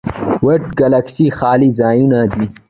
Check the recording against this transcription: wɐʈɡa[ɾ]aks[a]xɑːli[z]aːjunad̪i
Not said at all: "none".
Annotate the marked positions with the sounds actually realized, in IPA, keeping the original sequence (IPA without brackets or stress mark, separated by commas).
l, i, z